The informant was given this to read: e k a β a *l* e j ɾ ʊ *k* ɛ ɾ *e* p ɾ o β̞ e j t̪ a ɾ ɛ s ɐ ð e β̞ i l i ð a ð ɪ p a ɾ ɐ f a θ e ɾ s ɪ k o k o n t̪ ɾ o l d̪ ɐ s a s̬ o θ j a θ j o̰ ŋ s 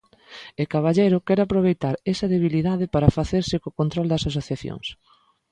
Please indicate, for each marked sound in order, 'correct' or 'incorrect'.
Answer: incorrect: ʎ, correct, incorrect: a

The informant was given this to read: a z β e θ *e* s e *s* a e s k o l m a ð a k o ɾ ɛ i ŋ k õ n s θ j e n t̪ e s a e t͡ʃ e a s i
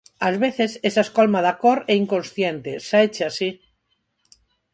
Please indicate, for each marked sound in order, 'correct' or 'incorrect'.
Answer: correct, correct

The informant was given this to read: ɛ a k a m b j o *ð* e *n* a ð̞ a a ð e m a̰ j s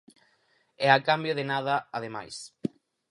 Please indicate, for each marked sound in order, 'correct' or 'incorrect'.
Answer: correct, correct

